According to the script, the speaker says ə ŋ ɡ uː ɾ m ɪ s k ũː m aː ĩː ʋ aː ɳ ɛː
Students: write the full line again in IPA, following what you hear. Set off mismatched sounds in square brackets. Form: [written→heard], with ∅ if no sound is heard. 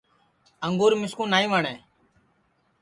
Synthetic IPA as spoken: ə ŋ ɡ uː ɾ m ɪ s k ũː [m→n] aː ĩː ʋ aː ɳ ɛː